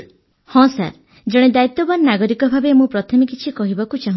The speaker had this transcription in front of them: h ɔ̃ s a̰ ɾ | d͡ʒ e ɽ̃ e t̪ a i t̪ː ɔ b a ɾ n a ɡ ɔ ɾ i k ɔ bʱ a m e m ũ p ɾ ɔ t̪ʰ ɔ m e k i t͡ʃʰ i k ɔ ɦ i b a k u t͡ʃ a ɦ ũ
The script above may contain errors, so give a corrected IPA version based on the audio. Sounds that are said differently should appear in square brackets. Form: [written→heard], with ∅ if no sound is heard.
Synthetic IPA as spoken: h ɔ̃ s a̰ ɾ | d͡ʒ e ɽ̃ e [t̪→d̪] a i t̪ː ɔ b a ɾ n a ɡ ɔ ɾ i k ɔ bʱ a [m→b] e m ũ p ɾ ɔ t̪ʰ ɔ m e k i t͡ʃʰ i k ɔ ɦ i b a k u t͡ʃ a ɦ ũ